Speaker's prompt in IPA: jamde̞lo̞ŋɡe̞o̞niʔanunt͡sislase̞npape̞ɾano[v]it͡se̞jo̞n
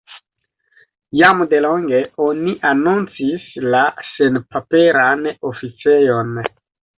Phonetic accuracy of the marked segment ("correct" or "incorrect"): incorrect